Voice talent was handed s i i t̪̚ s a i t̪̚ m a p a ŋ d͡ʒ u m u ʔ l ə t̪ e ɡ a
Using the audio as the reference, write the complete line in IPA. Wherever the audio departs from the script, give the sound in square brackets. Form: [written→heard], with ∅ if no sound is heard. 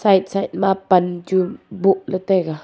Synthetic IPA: s [i→a] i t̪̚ s a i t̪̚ m a p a [ŋ→n] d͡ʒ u [m→b] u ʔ l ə t̪ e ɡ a

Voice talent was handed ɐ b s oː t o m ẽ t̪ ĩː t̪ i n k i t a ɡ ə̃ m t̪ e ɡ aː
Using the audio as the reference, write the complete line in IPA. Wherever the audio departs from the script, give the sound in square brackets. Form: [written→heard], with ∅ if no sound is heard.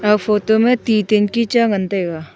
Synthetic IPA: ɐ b [s→f] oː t o m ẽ t̪ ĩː t̪ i n k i [t→t͡ʃ] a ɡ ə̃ [m→n] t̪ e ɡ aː

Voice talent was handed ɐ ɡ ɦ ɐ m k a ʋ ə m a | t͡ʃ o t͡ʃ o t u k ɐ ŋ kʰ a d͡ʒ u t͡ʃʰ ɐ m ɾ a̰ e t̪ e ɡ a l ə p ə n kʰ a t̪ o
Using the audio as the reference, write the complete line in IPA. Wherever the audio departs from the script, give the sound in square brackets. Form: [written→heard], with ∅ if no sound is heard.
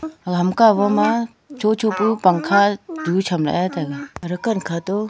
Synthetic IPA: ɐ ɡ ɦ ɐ m k a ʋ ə m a | t͡ʃ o t͡ʃ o [t→p] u [k→p] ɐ ŋ kʰ a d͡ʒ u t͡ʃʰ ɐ m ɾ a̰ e t̪ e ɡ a [l→ɾ] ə [p→k] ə n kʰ a t̪ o

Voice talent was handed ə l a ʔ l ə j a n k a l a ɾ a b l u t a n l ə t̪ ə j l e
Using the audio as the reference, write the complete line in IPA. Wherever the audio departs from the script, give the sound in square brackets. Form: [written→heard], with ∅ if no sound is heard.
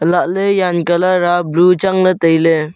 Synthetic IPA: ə l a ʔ l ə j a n k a l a ɾ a b l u [t→t͡ʃ] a [n→ŋ] l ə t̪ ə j l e

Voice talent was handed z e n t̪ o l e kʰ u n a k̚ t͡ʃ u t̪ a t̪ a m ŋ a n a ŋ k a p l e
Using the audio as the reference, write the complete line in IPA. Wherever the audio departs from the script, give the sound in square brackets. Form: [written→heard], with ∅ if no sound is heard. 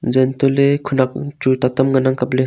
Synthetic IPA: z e n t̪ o l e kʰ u n a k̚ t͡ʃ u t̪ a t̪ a m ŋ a n a ŋ k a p l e

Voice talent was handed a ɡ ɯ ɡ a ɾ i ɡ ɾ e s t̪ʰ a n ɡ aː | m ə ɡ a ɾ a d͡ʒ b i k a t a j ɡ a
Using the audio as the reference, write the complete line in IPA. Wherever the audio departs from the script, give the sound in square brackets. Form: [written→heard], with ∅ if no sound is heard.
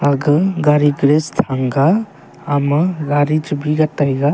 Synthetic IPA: a ɡ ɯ ɡ a ɾ i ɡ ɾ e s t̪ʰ a [n→ŋ] ɡ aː | m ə ɡ a ɾ [a→i] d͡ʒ b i [k→ɡ] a t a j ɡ a

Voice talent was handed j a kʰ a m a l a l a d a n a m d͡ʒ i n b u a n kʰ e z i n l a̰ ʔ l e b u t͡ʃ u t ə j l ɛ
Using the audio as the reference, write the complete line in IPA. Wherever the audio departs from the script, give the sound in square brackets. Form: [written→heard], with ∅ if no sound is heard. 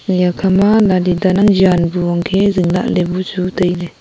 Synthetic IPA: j a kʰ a m a l a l [a→i] d a n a [m→ŋ] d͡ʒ [i→a] n b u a [n→ŋ] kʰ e z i [n→ŋ] l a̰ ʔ l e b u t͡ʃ u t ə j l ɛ

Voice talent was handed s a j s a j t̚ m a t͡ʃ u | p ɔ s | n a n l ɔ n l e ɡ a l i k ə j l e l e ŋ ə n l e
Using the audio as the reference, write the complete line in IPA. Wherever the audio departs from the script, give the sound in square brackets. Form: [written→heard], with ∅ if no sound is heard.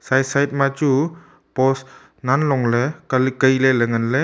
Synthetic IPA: s a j s a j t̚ m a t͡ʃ u | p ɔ s | n a n l ɔ [n→ŋ] l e [ɡ→k] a l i k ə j l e l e ŋ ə n l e

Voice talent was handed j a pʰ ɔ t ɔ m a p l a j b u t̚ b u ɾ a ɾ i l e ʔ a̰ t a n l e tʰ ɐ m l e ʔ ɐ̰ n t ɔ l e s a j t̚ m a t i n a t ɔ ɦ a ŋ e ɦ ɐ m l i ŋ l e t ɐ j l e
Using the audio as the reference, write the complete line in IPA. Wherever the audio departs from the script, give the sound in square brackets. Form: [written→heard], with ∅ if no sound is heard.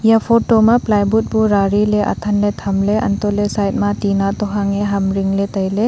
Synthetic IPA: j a pʰ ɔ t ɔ m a p l a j b u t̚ b u ɾ a ɾ i l e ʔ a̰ [t→tʰ] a n l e tʰ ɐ m l e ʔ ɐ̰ n t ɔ l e s a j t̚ m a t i n a t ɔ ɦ a ŋ e ɦ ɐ m [l→ɾ] i ŋ l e t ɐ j l e

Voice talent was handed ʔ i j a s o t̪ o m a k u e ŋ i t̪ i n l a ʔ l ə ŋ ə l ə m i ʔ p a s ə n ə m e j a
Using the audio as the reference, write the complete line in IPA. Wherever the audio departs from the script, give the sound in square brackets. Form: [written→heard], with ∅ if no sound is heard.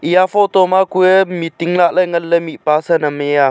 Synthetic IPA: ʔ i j a [s→f] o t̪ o m a k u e [ŋ→m] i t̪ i [n→ŋ] l a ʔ l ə ŋ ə l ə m i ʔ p a s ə n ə m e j a

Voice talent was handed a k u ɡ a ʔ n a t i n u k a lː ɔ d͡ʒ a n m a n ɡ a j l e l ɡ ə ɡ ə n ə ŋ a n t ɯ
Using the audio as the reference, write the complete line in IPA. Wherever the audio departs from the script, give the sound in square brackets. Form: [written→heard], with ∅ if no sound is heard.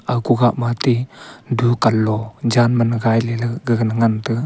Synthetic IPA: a k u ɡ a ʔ [n→m] a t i [n→d] u k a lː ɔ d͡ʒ a n m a n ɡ a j l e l ɡ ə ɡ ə n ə ŋ a n t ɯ

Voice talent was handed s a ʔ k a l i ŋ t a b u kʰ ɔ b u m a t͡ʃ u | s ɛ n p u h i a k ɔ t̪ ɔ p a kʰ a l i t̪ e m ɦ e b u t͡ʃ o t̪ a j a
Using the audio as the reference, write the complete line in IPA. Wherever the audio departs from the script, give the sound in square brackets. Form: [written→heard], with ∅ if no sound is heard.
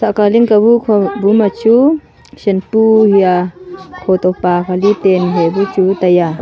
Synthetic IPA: s a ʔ k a l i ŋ [t→k] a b u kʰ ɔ b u m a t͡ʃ u | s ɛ n p u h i a [k→kʰ] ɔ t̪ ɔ p a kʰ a l i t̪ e [m→n] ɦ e b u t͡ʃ [o→u] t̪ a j a

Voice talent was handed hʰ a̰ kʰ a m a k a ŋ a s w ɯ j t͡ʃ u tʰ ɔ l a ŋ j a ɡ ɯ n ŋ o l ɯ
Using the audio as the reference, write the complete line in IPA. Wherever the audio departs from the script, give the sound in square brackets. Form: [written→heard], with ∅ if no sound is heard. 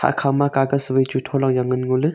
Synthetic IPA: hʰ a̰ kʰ a m a k a [ŋ→ɡ] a s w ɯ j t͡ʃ u tʰ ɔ l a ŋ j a [ɡ→ŋ] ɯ n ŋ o l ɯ

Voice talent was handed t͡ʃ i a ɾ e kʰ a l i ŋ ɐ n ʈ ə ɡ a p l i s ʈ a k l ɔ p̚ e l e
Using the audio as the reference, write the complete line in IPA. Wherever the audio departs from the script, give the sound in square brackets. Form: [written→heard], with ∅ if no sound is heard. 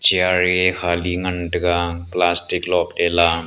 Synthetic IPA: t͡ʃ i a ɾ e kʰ a l i ŋ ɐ n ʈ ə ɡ a p l [i→a] s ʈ [a→i] k l ɔ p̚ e l [e→a]

